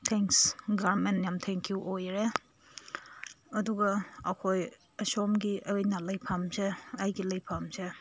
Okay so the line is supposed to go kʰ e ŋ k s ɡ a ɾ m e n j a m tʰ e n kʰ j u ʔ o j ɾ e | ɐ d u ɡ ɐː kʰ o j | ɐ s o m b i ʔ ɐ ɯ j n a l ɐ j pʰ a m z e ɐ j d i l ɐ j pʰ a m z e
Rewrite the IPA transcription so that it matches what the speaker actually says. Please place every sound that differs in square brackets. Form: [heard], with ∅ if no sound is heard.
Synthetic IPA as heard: [tʰ] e ŋ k s ɡ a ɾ m e n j a m tʰ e [ŋ] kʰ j u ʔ o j ɾ e | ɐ d u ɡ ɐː kʰ o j | ɐ s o m [ɡ] i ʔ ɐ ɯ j n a l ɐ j pʰ a m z e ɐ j [ɡ] i l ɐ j pʰ a m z e